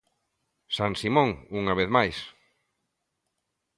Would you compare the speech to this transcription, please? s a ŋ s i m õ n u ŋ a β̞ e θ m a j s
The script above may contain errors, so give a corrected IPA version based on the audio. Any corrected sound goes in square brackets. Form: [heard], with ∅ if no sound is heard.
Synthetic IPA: s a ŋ s i m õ [ŋ] u ŋ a β̞ e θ m a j s